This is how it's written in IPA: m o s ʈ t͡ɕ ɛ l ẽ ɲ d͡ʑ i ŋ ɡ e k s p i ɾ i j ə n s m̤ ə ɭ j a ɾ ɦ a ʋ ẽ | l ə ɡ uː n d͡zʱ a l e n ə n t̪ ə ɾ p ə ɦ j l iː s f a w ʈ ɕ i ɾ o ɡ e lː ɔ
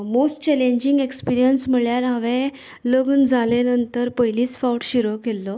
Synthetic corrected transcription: m o s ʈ t͡ɕ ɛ l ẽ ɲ d͡ʑ i ŋ ɡ e k s p i ɾ i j ə n s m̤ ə ɭ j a ɾ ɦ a ʋ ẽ | l ə ɡ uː n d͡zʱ a l e n ə n t̪ ə ɾ p ə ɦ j l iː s f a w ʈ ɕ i ɾ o k e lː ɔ